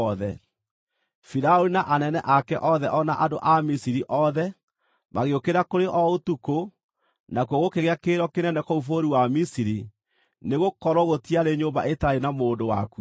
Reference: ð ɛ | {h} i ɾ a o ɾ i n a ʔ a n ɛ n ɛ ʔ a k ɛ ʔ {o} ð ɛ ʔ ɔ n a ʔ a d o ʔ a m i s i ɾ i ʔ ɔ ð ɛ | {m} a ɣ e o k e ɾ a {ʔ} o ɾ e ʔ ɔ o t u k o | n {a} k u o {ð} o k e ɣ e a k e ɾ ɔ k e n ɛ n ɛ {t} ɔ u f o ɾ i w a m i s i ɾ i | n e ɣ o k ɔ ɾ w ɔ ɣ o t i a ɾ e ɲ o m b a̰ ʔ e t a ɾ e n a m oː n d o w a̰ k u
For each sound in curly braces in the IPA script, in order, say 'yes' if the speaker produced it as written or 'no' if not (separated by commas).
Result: no, no, yes, no, yes, no, no